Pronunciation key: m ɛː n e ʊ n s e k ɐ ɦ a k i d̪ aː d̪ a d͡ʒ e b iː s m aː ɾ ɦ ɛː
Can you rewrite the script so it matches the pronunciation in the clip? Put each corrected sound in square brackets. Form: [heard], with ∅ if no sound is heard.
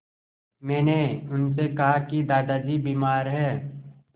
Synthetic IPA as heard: m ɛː n e ʊ n s e k ɐ ɦ a k i d̪ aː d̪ a d͡ʒ [i] b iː [∅] m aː ɾ ɦ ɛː